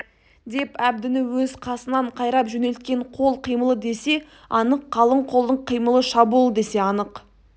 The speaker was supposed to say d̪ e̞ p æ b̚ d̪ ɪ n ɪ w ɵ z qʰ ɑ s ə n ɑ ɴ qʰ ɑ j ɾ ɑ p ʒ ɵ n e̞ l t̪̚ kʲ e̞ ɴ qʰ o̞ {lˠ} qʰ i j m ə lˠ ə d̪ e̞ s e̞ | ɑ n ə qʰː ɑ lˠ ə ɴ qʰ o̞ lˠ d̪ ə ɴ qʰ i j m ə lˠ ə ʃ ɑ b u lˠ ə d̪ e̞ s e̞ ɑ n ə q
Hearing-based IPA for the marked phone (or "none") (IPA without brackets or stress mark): lˠ